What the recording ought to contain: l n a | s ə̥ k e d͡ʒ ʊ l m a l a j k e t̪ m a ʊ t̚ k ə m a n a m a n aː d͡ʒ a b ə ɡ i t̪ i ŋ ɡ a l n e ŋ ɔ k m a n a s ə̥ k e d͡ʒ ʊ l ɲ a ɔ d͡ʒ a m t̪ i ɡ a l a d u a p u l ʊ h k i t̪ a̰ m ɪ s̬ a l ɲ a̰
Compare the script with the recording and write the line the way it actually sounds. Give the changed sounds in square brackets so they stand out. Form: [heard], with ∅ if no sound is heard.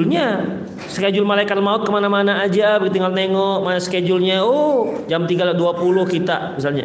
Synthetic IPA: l [ɲ] a | s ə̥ k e d͡ʒ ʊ l m a l a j k [a] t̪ m a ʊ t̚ k ə m a n a m a n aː d͡ʒ a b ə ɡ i t̪ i ŋ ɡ a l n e ŋ ɔ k m a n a s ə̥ k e d͡ʒ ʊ l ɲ a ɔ d͡ʒ a m t̪ i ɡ a l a d u a p u l ʊ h k i t̪ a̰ m [i] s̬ a l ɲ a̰